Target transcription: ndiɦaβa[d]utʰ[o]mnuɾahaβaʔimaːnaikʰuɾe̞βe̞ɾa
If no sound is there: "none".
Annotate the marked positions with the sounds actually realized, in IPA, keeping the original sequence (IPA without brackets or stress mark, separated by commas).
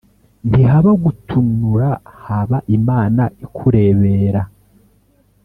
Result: ɡ, u